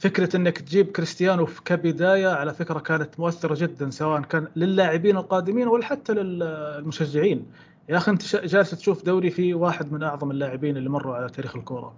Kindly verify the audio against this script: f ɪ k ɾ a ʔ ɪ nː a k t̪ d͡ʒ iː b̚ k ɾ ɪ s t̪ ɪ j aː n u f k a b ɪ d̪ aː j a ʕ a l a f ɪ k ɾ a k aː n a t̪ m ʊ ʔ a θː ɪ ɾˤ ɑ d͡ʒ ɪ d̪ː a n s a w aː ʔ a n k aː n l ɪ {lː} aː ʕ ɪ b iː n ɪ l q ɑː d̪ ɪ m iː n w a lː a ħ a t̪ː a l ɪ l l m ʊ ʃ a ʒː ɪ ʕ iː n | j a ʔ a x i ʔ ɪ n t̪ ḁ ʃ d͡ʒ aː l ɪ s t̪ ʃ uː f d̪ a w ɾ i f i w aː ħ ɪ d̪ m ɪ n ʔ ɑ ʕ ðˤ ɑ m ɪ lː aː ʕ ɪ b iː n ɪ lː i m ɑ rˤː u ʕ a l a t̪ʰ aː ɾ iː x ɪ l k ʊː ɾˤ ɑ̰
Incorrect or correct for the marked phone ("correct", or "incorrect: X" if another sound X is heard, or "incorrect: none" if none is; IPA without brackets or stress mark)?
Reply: correct